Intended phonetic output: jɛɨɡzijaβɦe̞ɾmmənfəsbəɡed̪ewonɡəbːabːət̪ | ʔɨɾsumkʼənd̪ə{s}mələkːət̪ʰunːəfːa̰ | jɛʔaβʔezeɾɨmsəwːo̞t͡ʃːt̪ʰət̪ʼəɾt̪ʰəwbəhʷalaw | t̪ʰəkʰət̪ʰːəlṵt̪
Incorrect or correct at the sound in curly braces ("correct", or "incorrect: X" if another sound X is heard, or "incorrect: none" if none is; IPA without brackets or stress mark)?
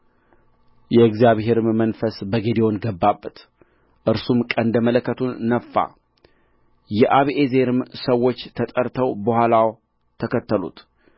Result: incorrect: none